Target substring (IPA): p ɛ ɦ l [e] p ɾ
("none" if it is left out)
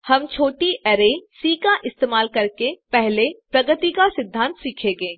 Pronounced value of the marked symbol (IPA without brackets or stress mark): e